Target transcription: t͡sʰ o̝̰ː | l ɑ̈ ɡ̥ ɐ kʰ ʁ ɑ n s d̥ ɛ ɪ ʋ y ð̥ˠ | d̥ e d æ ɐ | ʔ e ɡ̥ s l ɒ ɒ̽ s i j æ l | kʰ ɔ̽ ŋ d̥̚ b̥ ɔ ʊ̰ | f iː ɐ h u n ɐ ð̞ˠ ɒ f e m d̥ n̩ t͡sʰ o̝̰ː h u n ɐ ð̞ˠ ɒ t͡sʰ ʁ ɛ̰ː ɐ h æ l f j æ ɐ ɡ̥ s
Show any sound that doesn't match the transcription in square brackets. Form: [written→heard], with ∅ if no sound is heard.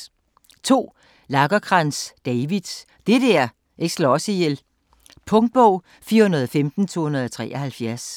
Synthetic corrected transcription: t͡sʰ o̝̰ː | l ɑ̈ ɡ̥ ɐ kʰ ʁ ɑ n s d̥ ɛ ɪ ʋ [y→i] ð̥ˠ | d̥ e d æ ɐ | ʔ e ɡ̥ s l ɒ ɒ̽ s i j [æ→e] l | [kʰ→pʰ] ɔ̽ ŋ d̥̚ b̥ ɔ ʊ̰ | f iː ɐ h u n ɐ ð̞ˠ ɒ f e m d̥ n̩ t͡sʰ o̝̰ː h u n ɐ ð̞ˠ ɒ t͡sʰ ʁ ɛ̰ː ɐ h æ l f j æ ɐ [ɡ̥→∅] s